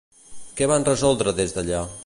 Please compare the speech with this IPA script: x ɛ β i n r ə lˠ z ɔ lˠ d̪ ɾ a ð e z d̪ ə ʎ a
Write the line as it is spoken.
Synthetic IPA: k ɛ β a n r ə z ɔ lˠ d̪ ɾ ə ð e z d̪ ə ʎ a